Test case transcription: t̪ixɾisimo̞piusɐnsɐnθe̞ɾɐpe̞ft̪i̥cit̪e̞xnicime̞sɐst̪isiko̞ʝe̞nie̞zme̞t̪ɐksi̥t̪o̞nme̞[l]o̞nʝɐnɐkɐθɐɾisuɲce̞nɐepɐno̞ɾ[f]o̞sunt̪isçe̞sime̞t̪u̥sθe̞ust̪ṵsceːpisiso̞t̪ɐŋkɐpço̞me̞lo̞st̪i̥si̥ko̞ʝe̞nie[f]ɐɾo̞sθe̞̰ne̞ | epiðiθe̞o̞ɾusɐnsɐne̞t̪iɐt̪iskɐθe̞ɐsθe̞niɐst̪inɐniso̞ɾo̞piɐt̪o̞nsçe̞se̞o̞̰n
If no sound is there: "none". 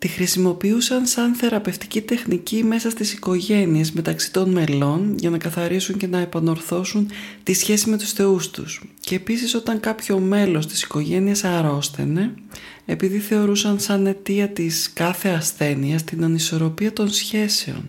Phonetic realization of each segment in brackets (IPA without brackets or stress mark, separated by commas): l, θ, s